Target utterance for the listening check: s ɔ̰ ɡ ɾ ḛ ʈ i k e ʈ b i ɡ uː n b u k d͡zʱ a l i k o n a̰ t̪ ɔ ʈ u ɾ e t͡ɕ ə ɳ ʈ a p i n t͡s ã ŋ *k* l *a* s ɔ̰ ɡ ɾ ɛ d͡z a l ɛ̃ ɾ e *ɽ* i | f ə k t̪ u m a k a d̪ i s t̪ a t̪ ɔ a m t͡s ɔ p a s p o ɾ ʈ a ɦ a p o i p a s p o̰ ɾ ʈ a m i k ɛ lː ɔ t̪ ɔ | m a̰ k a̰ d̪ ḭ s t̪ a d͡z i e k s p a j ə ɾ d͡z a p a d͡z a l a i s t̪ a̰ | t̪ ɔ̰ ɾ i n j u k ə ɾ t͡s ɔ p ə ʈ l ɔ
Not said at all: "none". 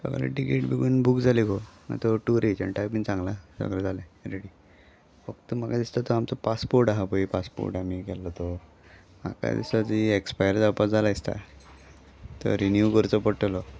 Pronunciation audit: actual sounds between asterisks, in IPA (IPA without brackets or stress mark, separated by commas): ɡ, a, ɽ